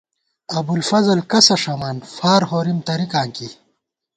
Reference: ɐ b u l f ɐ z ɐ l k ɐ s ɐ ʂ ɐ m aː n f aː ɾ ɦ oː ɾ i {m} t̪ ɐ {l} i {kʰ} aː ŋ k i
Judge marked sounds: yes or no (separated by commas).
yes, no, no